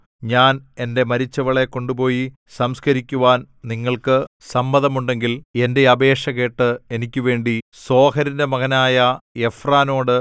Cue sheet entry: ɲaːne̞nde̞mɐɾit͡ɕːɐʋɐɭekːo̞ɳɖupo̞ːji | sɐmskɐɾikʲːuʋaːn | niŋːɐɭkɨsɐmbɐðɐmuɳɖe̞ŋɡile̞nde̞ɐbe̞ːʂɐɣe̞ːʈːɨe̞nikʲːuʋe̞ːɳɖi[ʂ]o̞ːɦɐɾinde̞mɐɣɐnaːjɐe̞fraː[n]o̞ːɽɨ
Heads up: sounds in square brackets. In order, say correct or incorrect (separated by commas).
incorrect, correct